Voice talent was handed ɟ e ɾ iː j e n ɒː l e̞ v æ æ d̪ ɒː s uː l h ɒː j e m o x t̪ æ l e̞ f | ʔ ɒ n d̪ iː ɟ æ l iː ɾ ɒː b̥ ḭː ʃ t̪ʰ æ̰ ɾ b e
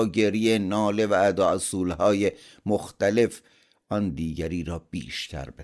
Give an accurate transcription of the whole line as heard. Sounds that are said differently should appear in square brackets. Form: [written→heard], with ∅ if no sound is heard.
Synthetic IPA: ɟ e ɾ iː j e n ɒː l e̞ v æ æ d̪ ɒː s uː l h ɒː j e m o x t̪ æ l e̞ f | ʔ ɒ n d̪ iː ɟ æ [l→ɾ] iː ɾ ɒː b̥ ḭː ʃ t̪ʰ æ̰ ɾ b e